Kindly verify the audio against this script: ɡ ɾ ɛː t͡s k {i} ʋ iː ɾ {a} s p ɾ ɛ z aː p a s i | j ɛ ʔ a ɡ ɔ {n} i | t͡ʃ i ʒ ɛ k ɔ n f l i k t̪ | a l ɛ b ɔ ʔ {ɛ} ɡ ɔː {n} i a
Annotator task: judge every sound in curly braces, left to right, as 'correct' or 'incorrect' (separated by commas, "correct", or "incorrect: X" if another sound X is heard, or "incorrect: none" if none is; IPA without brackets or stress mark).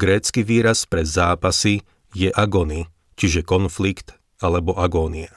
correct, correct, correct, incorrect: a, correct